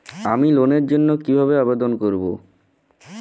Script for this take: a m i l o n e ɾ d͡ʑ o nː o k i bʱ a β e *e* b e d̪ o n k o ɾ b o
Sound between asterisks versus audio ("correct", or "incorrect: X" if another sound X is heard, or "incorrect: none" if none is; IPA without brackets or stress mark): incorrect: a